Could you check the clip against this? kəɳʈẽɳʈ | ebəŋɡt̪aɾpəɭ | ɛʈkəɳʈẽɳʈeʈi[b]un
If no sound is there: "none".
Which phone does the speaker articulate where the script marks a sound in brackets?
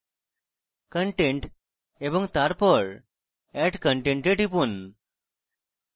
p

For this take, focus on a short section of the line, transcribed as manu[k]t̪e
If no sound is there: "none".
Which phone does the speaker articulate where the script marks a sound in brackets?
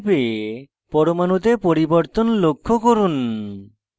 none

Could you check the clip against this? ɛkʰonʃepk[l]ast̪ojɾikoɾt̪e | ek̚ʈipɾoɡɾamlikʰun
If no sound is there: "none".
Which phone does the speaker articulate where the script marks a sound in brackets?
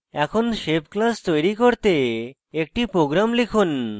l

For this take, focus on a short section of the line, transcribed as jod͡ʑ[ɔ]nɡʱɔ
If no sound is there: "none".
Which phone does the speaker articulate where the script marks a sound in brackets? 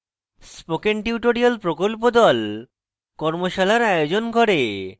o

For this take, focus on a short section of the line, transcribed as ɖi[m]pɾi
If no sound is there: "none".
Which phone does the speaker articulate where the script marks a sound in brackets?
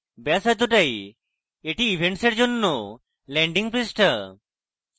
ŋ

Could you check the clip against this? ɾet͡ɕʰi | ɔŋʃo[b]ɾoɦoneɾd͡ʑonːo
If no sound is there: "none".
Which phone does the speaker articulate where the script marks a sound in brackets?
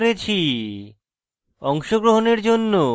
ɡ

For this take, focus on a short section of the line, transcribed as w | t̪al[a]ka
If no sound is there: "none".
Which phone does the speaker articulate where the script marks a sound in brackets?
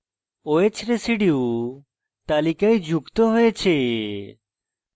i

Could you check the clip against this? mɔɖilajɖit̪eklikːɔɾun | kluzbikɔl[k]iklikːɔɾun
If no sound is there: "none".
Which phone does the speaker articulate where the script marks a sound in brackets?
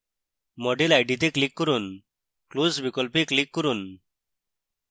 p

